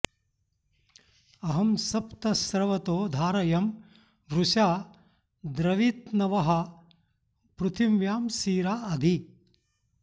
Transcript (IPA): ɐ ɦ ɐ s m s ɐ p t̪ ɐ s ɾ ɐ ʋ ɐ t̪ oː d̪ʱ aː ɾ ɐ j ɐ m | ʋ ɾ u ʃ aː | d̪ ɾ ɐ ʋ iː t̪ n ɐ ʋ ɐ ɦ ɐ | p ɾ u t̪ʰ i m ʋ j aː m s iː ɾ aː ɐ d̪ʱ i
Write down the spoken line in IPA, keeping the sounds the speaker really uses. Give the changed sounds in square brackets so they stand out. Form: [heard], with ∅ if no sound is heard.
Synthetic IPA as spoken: ɐ ɦ ɐ [∅] m s ɐ p t̪ ɐ s ɾ ɐ ʋ ɐ t̪ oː d̪ʱ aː ɾ ɐ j ɐ m | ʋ ɾ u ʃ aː | d̪ ɾ ɐ ʋ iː t̪ n ɐ ʋ ɐ ɦ ɐ | p ɾ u t̪ʰ i m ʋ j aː m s iː ɾ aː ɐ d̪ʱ i